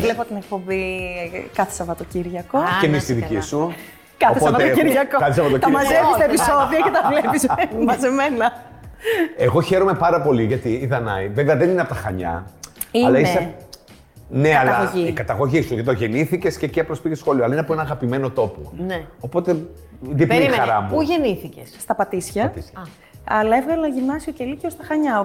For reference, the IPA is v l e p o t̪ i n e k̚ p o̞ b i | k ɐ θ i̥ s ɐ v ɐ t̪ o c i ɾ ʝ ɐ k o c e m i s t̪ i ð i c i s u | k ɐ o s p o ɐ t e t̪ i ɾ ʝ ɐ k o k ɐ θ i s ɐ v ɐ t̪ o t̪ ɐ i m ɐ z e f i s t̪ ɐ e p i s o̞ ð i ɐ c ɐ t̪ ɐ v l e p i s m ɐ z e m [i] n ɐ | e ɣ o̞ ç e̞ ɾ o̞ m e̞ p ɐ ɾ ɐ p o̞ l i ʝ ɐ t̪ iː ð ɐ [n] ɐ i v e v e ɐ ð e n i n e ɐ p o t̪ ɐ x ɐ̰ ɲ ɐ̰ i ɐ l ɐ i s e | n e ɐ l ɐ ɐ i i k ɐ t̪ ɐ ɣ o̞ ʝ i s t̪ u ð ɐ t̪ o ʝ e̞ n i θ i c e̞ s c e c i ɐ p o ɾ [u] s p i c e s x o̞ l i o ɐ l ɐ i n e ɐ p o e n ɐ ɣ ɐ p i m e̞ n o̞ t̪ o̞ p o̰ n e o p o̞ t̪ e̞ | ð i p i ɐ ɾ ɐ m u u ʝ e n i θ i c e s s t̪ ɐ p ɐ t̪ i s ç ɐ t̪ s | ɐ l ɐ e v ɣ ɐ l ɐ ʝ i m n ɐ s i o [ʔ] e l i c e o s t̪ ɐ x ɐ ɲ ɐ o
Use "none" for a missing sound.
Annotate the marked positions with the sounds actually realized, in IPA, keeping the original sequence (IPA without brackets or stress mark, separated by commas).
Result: e, n, o, c